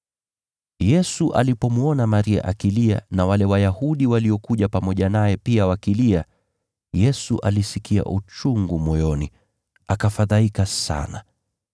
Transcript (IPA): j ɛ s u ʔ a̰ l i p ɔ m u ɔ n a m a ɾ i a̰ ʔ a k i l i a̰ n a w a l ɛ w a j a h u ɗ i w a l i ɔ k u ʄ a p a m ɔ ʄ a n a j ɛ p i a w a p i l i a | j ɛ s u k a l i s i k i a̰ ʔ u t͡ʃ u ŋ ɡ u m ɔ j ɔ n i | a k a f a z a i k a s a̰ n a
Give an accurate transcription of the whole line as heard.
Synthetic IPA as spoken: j ɛ s u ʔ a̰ l i p ɔ m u ɔ n a m a ɾ i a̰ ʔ a k i l i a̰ n a w a l ɛ w a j a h u ɗ i w a l i ɔ k u ʄ a p a m ɔ ʄ a n a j ɛ p i a w a k i l i a | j ɛ s u ʔ a l i s i k i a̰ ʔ u t͡ʃ u ŋ ɡ u m ɔ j ɔ n i | a k a f a ð a i k a s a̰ n a